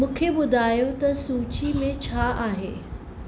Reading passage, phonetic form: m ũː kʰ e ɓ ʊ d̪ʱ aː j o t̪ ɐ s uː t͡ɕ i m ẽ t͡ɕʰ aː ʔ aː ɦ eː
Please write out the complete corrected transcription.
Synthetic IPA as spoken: m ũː kʰ e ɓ ʊ d̪ʱ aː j o t̪ ɐ s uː t͡ɕ i m ẽ t͡ɕʰ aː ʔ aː ɦ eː